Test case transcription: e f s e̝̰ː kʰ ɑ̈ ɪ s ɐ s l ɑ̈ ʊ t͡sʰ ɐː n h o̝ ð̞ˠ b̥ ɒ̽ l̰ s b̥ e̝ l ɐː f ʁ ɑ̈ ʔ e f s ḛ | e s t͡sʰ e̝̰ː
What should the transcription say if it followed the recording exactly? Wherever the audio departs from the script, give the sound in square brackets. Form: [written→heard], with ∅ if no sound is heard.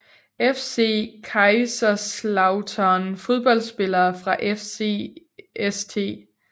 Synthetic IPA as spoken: e f s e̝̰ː kʰ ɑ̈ ɪ s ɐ s l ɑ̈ ʊ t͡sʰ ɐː n [h→f] o̝ ð̞ˠ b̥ ɒ̽ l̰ s b̥ e̝ l ɐː f ʁ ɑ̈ ʔ e f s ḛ | e s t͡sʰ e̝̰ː